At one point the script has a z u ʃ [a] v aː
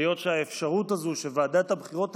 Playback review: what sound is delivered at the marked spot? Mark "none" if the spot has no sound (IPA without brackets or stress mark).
e